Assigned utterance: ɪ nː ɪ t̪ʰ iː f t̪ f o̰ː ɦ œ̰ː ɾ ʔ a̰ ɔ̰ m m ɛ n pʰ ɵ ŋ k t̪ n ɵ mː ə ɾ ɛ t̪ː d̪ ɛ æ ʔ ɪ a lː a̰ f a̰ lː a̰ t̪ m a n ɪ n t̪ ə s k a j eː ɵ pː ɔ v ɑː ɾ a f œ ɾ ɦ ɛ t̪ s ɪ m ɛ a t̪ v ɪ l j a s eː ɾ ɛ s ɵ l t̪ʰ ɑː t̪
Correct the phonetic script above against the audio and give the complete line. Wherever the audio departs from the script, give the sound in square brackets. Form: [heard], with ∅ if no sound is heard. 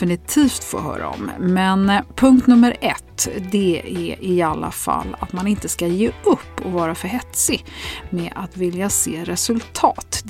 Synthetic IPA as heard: ɪ [n] ɪ t̪ʰ iː f t̪ f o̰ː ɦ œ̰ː ɾ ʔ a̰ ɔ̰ m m ɛ n pʰ ɵ ŋ k t̪ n ɵ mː ə ɾ ɛ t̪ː d̪ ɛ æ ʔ ɪ a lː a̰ f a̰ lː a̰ t̪ m a n ɪ n t̪ ə s k a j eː ɵ pː ɔ v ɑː ɾ a f œ ɾ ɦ ɛ t̪ s ɪ m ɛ a t̪ v ɪ l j a s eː ɾ ɛ s ɵ l t̪ʰ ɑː t̪